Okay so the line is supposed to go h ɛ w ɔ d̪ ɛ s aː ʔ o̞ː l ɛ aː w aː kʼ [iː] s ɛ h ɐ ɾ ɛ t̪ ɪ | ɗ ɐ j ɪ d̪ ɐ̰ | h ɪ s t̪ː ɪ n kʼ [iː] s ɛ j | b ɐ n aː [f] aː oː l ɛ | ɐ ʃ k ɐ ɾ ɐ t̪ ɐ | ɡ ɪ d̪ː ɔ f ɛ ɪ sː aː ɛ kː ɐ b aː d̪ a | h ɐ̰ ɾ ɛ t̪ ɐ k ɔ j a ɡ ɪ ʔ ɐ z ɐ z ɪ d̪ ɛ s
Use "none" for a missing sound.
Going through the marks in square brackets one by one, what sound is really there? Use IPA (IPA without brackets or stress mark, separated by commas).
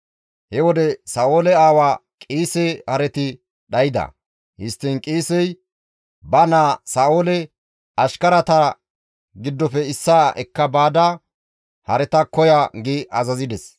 iː, iː, s